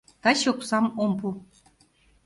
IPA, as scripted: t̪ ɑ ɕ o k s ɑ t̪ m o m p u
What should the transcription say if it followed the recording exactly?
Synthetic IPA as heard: t̪ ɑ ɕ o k s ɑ m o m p u